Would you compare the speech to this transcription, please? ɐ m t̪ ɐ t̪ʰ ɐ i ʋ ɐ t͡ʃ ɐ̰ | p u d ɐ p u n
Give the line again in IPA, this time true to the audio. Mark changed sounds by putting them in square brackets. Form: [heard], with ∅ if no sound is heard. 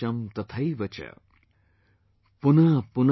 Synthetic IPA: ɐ m t̪ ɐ t̪ʰ ɐ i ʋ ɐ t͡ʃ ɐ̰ | p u [n] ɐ p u n

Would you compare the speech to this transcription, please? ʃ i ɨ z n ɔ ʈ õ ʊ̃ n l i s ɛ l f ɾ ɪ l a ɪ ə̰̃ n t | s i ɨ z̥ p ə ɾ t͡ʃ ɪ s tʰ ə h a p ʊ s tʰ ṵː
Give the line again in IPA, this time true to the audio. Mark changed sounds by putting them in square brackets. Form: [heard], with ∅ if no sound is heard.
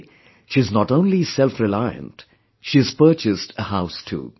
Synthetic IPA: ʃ i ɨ z n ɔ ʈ õ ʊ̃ n l i s ɛ l f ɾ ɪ l a ɪ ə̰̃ n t | [ʃ] i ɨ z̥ p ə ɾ t͡ʃ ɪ s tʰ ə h a [∅] ʊ s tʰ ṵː

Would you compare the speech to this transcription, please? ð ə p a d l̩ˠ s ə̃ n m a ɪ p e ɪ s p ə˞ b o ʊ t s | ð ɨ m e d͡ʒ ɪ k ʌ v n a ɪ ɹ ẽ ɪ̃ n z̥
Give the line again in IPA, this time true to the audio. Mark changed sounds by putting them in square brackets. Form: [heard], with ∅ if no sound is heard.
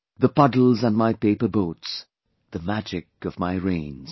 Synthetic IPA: ð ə p [ʌ] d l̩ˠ [z] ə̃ n m a ɪ p e ɪ [∅] p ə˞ b o ʊ t s | ð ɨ m [æ] d͡ʒ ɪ k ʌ v [m] a ɪ ɹ ẽ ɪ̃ n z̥

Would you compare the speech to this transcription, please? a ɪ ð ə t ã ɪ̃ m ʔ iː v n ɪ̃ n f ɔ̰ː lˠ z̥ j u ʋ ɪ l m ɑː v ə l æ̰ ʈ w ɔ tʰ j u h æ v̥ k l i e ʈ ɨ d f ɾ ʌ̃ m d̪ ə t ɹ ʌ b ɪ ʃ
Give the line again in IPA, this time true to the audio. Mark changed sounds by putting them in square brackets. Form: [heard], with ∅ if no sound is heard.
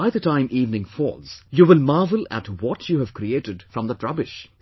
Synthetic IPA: a ɪ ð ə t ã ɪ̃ m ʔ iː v n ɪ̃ [ŋ] f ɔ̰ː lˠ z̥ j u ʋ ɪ l m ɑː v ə l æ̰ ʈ w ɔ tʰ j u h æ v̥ k [ɾ] i e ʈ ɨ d f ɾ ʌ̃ m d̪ ə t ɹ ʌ b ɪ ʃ

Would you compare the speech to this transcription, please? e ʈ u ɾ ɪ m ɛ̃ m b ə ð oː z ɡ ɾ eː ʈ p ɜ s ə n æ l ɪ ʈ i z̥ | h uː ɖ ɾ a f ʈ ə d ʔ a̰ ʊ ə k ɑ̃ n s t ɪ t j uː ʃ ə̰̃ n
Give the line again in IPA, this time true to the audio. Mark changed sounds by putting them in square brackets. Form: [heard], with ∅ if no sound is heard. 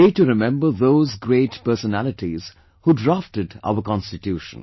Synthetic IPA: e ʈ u ɾ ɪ m ɛ̃ m b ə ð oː z ɡ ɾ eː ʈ p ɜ s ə n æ l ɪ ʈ i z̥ | h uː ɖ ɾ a f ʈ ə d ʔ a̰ ʊ ə k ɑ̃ n s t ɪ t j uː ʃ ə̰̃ n

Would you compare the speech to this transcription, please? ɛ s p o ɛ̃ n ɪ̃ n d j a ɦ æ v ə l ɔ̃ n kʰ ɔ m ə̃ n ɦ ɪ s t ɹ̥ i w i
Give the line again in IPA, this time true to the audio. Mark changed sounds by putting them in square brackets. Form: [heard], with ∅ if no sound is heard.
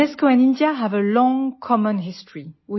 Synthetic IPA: ɛ s [k] o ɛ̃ n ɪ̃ n d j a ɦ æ v ə l ɔ̃ [ŋ] kʰ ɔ m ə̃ n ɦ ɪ s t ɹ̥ i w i

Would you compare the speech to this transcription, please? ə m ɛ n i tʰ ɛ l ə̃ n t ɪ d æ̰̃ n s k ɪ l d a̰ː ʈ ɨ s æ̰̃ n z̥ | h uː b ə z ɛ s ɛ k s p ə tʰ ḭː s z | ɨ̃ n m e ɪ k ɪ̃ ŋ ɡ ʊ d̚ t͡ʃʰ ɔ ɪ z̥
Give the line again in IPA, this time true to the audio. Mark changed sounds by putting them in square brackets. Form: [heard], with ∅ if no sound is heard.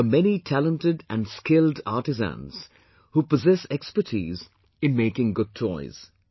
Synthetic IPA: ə m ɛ n i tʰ [æ] l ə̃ n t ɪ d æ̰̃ n s k ɪ l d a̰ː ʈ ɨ [z] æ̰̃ n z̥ | h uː [p] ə z ɛ s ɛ k s p ə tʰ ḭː [∅] z | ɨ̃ n m e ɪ k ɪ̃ ŋ ɡ ʊ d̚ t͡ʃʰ ɔ ɪ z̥

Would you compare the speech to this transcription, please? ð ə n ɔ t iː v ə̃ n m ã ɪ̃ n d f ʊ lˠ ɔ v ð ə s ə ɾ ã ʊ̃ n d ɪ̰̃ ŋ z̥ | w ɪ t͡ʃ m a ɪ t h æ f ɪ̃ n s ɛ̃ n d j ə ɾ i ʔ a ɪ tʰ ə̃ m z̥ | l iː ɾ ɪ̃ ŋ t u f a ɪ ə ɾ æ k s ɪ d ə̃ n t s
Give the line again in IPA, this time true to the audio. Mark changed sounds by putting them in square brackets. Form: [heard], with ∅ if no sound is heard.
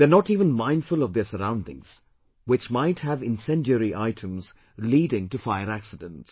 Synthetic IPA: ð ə n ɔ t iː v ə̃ n m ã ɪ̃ n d f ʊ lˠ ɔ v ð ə s ə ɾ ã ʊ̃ n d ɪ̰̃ ŋ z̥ | w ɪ t͡ʃ m a ɪ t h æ [v] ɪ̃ n s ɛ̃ n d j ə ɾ i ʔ a ɪ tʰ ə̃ m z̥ | l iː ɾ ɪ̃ ŋ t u f a ɪ ə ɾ æ k s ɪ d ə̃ n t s

